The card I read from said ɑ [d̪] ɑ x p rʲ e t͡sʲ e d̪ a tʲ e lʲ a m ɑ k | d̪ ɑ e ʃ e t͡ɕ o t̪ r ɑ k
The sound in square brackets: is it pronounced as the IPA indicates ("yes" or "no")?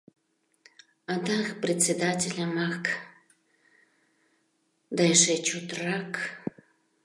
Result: yes